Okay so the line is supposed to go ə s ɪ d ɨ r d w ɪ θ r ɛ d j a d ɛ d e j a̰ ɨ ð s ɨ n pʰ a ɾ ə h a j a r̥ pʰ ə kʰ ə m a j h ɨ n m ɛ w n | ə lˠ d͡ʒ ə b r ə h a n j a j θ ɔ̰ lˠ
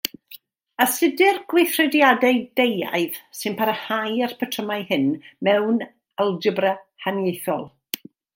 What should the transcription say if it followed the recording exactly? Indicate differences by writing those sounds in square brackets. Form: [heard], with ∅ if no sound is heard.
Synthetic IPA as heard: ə s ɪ d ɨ r [ɡ] w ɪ θ r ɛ d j a d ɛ d e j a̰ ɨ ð s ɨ n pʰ a ɾ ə h a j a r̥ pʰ ə [tʰ] ə m a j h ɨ n m ɛ w n | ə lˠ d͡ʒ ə b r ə h a n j [e] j θ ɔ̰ lˠ